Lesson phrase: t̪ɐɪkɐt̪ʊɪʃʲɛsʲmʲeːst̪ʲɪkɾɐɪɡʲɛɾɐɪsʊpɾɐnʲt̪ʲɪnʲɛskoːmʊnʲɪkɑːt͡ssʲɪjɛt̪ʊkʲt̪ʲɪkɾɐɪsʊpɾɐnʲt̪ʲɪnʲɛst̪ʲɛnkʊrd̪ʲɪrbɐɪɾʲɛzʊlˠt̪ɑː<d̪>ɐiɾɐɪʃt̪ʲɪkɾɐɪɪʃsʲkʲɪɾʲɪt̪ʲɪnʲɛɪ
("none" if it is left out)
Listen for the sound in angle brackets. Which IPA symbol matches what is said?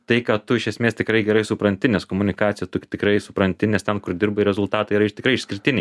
t̪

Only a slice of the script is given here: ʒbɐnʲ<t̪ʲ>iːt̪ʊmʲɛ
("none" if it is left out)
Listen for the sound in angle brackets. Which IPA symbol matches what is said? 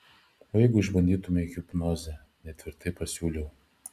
d̪ʲ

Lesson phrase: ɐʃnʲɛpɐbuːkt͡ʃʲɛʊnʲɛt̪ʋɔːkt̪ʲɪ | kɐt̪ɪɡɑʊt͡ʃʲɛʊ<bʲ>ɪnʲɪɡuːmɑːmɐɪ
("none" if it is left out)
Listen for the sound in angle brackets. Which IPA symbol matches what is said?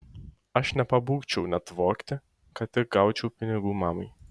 pʲ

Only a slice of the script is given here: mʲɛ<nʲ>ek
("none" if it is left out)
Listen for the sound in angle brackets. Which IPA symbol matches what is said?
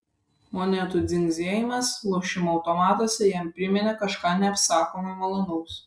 nʲ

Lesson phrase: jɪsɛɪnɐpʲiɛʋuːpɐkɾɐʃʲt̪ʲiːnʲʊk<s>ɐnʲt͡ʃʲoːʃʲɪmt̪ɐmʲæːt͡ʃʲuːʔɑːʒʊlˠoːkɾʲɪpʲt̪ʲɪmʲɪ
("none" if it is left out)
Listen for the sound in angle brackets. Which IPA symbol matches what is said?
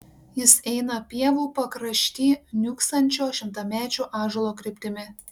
s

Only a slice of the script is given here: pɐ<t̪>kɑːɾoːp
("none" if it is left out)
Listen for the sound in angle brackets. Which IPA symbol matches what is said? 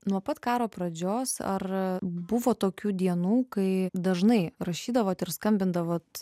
t̪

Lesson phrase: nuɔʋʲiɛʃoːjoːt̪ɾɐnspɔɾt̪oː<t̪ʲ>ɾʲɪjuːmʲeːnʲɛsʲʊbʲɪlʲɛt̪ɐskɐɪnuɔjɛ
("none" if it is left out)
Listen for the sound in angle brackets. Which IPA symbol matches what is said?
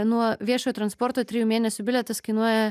t̪ʲ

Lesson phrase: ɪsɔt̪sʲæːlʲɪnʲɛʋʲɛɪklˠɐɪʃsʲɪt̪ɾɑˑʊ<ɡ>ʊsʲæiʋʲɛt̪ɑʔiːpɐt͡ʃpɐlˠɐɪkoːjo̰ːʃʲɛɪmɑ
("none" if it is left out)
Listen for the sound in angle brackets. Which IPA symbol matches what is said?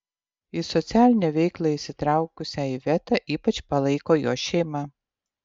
k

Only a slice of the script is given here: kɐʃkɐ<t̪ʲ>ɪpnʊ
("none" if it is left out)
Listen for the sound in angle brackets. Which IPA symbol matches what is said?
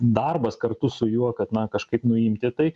none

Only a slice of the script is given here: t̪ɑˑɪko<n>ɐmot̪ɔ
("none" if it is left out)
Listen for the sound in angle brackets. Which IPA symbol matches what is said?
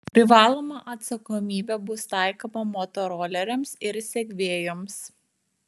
m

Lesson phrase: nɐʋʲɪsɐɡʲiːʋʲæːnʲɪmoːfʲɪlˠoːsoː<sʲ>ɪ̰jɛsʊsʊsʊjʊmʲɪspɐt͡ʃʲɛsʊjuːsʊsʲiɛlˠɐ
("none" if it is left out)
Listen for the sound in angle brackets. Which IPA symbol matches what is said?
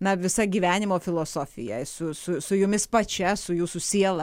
fʲ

